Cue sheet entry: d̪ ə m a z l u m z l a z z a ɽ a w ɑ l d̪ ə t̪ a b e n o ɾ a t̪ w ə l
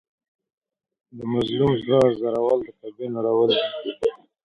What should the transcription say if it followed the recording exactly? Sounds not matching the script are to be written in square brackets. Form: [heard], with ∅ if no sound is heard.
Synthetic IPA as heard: d̪ ə m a z l u m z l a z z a [ɾ] a w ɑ l d̪ ə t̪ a b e n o ɾ a [∅] w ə l

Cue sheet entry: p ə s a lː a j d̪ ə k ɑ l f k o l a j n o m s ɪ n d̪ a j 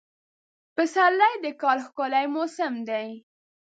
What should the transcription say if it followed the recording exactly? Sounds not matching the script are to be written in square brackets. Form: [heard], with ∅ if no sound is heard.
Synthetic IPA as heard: p ə s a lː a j d̪ ə k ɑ l [x] k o l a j [m] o [∅] s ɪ [m] d̪ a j

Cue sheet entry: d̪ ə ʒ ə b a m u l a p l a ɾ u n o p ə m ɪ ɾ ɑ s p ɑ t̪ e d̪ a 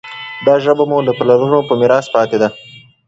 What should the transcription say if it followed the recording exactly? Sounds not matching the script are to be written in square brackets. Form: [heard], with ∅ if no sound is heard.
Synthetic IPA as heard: d̪ [ɑ] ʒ ə b a m u l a p l a ɾ u n o p ə m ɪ ɾ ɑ s p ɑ t̪ e d̪ a

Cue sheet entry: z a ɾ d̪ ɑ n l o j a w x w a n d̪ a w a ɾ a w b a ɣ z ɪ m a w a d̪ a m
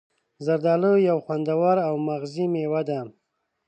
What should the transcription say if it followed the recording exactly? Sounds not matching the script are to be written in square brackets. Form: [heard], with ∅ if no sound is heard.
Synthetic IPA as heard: z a ɾ d̪ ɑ [∅] l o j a w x w a n d̪ a w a ɾ a w [m] a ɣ z [i] m [e] w a d̪ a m

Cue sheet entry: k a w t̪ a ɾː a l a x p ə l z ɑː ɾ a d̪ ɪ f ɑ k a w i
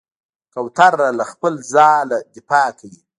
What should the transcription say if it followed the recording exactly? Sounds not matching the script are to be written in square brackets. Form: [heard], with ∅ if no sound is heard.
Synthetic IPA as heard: k a w t̪ a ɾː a l a x p ə l z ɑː [l] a d̪ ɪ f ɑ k a w i

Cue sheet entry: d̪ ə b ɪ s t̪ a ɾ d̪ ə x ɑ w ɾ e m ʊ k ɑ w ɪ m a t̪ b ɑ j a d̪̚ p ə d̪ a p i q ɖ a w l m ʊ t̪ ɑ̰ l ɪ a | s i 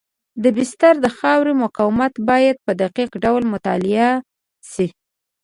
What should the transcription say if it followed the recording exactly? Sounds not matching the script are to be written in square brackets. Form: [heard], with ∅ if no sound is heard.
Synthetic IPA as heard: d̪ ə b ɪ s t̪ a ɾ d̪ ə x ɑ w ɾ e m ʊ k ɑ w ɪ m a t̪ b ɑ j a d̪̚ p ə d̪ a [q] i q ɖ a w l m ʊ t̪ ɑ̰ l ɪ a | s i

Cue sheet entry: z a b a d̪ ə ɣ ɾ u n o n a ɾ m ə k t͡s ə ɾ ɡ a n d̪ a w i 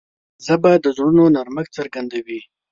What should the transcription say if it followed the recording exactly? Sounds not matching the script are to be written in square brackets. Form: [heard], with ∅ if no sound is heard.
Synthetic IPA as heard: z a b a d̪ ə [z] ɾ u n o n a ɾ m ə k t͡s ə ɾ ɡ a n d̪ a w i

